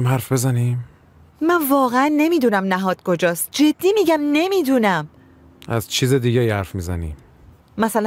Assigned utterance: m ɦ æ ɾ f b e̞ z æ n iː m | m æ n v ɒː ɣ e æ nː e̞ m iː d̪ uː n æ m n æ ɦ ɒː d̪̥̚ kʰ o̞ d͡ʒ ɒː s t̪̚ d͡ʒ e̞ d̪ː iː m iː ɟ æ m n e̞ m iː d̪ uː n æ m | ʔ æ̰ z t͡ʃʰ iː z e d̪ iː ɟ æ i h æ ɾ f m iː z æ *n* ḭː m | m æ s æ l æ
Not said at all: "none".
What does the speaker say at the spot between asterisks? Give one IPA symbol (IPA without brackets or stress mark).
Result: n